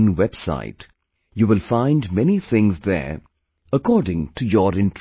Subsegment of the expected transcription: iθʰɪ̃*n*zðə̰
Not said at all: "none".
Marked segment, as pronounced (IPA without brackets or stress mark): ŋ